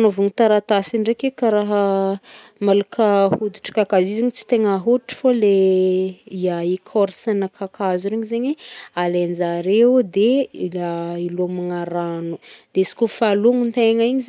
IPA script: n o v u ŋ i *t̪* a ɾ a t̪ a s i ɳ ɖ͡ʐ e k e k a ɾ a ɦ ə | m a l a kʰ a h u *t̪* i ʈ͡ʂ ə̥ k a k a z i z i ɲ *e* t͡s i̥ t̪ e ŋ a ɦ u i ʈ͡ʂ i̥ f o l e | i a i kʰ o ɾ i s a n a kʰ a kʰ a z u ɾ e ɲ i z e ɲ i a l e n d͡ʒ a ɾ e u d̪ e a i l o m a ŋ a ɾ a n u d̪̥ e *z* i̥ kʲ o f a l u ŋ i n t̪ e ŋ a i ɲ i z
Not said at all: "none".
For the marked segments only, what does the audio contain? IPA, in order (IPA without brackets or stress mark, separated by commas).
t̪, d̪, i, s